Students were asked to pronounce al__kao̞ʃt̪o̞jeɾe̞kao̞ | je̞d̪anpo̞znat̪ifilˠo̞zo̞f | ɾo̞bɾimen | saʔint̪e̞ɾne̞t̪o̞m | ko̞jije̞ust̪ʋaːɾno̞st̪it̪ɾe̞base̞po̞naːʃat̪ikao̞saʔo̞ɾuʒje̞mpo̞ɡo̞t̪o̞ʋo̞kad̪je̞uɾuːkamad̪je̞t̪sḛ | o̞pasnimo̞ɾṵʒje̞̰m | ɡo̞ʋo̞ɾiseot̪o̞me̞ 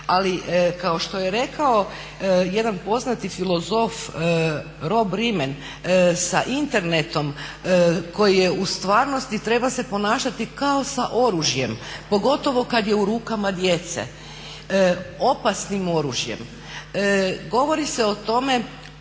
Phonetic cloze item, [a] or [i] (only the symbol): i